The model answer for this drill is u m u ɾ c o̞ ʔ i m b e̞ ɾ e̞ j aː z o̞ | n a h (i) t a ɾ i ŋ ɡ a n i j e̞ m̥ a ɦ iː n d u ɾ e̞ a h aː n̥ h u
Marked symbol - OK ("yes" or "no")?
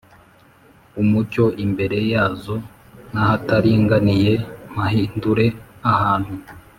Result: no